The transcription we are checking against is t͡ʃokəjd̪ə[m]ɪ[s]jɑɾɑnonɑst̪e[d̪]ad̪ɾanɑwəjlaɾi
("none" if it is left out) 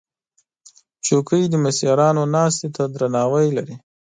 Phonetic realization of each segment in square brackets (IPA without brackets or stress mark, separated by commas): m, s, t̪